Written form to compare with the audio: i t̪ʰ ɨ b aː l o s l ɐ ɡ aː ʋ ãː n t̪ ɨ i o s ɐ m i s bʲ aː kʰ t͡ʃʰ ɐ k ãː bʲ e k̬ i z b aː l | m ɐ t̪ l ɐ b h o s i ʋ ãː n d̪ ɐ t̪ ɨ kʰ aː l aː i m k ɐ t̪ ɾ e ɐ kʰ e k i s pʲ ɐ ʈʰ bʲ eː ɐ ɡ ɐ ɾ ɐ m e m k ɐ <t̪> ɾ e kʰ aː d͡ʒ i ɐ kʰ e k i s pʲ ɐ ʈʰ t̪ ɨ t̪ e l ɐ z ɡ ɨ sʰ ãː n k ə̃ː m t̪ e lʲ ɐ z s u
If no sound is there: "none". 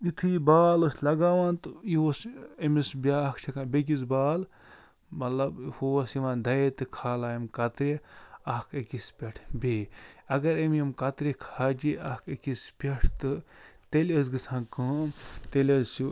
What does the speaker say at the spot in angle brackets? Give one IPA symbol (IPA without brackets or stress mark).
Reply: t̪